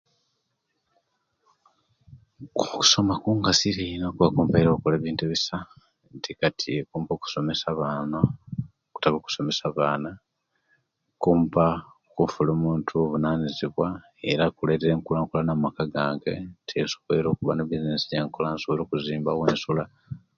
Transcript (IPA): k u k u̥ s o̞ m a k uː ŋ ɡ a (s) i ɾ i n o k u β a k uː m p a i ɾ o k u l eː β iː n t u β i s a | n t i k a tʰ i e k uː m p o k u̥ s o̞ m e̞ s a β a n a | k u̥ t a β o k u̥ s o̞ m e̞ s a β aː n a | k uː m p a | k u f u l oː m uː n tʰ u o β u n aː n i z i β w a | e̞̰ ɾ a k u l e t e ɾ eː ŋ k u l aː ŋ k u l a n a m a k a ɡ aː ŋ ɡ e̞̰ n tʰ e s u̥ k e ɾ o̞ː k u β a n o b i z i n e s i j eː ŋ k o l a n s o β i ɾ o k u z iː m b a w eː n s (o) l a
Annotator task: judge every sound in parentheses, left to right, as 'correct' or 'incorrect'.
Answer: correct, incorrect

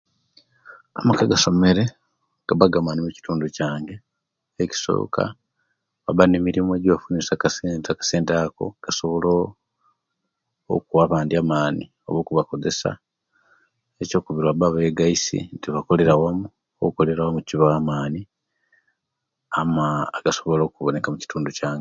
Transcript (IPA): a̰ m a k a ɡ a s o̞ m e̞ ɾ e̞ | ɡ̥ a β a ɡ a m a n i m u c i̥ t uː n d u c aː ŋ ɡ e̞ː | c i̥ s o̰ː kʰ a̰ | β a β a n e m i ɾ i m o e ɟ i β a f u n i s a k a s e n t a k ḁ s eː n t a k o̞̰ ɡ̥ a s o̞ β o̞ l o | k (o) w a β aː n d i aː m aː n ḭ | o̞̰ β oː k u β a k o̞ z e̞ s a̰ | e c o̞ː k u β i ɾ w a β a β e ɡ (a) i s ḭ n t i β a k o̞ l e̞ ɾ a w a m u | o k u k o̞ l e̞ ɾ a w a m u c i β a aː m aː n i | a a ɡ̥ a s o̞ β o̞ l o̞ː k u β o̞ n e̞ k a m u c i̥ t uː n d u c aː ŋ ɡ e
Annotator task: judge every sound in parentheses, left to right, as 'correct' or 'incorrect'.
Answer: incorrect, correct

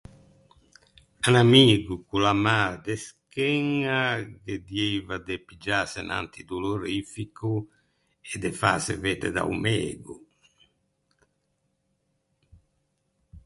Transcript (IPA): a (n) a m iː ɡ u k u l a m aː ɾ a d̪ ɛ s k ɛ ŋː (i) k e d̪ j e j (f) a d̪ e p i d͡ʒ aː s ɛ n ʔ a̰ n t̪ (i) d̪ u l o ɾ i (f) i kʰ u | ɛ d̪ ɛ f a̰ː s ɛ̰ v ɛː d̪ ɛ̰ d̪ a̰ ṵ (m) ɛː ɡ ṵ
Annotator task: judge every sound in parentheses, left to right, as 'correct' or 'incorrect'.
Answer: correct, incorrect, incorrect, correct, correct, correct

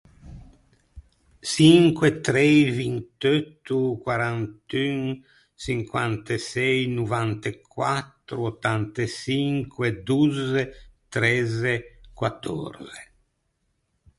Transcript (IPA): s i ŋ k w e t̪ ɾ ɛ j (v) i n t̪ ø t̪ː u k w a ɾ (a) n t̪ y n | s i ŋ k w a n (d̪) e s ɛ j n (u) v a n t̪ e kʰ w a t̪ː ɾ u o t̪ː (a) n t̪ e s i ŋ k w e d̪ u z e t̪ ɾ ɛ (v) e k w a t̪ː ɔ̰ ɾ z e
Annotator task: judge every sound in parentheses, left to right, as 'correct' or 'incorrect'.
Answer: correct, correct, incorrect, correct, correct, incorrect

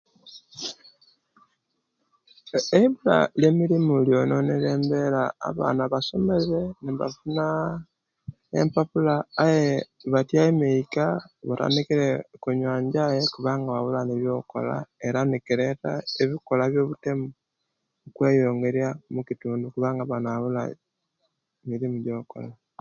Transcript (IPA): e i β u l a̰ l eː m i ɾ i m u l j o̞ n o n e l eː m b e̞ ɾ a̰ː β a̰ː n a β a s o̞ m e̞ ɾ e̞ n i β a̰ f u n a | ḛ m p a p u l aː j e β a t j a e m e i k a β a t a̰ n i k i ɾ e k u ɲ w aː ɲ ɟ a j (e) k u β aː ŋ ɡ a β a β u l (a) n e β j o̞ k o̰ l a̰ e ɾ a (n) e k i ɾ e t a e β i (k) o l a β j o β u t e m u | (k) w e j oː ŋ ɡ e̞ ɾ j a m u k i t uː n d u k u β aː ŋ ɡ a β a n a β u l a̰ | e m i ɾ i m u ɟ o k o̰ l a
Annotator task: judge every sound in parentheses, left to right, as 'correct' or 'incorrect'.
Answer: correct, correct, correct, correct, correct

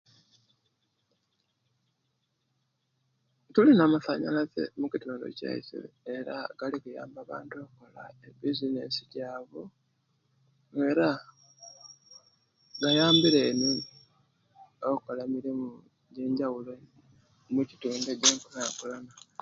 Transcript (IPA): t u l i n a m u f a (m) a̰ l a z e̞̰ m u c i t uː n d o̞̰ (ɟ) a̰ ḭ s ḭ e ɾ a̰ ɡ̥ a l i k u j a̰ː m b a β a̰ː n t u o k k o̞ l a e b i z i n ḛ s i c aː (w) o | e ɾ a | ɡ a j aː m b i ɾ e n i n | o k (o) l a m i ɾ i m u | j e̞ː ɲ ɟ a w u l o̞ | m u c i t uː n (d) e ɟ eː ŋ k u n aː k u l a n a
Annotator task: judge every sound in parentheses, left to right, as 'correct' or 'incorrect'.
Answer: incorrect, incorrect, incorrect, correct, correct

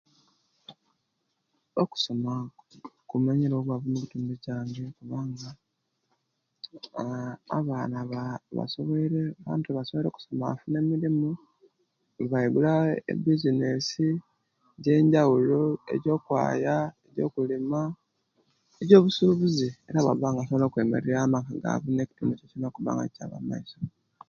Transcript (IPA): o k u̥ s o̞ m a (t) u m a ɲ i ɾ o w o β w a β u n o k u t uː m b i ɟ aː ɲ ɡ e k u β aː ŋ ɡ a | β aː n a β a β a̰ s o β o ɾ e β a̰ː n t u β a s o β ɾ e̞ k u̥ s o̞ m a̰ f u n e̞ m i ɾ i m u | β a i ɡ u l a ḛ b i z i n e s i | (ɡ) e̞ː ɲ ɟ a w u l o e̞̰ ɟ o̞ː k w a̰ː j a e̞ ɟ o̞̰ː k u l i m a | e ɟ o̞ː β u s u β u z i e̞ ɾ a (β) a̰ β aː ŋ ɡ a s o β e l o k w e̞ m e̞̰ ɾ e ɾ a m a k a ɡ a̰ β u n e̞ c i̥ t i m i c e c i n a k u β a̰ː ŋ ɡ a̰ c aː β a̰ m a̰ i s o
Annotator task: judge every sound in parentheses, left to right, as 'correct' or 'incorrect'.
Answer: incorrect, incorrect, correct

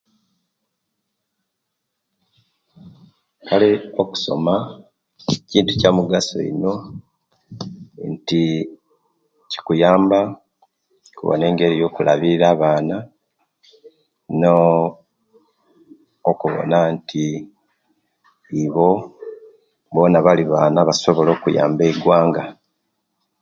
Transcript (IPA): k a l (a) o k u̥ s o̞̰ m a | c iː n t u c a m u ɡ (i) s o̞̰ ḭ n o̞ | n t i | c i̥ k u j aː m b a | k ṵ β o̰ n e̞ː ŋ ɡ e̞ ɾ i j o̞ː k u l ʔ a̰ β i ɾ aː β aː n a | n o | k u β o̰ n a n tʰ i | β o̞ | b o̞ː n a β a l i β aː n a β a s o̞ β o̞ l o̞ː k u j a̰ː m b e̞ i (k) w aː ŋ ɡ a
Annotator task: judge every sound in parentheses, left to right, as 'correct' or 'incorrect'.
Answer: incorrect, incorrect, incorrect

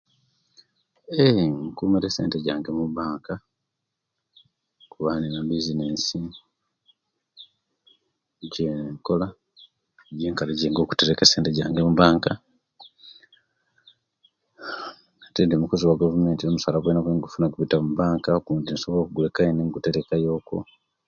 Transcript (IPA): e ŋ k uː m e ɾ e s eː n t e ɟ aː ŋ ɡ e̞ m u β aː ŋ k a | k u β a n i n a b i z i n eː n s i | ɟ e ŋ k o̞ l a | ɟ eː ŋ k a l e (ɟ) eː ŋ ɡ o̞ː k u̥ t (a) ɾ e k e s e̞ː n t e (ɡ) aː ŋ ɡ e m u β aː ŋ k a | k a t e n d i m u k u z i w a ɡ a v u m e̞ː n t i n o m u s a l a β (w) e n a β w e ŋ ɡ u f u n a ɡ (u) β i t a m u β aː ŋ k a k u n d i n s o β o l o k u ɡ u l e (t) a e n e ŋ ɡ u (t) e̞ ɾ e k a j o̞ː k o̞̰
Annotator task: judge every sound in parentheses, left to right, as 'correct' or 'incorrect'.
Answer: correct, incorrect, incorrect, correct, correct, incorrect, correct

